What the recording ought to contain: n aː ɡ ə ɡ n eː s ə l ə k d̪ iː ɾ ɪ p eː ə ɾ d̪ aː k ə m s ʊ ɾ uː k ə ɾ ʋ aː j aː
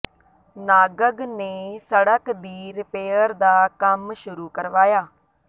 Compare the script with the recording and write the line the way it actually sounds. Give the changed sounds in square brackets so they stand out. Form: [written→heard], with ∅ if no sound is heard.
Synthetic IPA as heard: n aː ɡ ə ɡ n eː s ə [l→ɽ] ə k d̪ iː ɾ ɪ p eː ə ɾ d̪ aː k ə m [s→ʃ] ʊ ɾ uː k ə ɾ ʋ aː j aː